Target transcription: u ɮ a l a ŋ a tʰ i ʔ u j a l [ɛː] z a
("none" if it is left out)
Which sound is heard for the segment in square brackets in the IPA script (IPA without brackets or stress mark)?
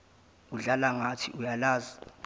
aː